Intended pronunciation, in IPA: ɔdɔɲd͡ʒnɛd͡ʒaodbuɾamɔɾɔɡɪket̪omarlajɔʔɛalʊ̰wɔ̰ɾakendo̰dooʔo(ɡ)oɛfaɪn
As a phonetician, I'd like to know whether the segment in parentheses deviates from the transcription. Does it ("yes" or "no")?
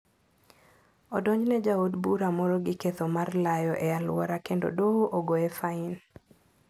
no